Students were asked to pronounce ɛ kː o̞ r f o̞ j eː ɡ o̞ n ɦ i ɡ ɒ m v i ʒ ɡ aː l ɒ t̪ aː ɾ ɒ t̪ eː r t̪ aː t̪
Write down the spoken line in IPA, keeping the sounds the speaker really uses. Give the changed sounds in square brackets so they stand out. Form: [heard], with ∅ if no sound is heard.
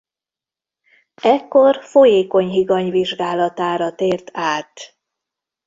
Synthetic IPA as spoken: ɛ kː o̞ r f o̞ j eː [k] o̞ [ɲ] ɦ i ɡ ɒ [ɲ] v i ʒ ɡ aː l ɒ t̪ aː ɾ ɒ t̪ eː r t̪ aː t̪